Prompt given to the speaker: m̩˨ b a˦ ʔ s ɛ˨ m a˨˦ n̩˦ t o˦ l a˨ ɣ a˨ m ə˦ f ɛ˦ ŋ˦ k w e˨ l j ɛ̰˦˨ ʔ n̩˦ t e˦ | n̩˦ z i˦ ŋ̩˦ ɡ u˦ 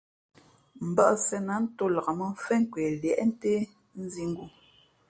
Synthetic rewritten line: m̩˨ b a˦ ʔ s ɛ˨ n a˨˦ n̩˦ t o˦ l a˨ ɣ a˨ m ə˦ f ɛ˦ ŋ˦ k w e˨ l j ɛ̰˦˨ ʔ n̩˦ t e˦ | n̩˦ z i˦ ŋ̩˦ ɡ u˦